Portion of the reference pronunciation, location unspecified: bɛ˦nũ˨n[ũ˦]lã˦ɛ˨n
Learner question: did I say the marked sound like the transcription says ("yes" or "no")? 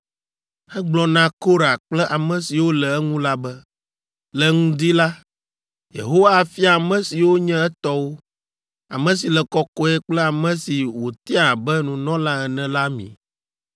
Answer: no